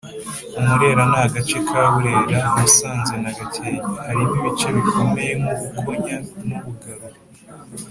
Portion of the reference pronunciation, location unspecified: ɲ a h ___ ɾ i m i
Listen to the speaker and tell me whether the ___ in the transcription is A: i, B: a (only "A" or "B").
B